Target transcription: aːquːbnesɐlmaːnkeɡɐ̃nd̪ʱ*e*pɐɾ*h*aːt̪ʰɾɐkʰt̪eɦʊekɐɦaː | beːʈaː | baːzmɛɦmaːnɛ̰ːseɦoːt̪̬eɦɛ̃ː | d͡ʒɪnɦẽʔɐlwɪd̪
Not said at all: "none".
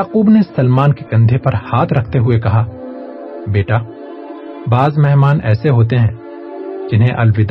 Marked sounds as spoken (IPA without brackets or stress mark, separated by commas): e, h